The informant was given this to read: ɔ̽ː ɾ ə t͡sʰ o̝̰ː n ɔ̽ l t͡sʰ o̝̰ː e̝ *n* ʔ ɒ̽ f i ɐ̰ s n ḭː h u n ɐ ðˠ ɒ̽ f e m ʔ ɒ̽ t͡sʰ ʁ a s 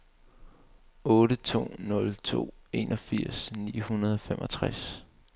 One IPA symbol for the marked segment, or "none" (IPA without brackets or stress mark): n